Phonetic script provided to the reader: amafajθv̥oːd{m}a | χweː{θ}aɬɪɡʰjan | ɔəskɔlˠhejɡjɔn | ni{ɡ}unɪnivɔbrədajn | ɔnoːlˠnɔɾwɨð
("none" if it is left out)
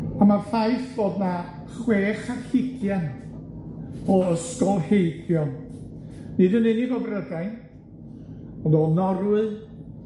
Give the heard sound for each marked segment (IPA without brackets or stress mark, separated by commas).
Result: n, χ, d